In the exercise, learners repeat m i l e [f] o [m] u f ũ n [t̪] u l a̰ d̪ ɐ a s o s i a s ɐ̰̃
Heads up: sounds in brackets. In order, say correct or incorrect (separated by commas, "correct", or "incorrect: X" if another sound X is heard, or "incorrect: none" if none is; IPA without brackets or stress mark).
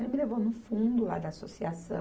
incorrect: v, incorrect: n, incorrect: d̪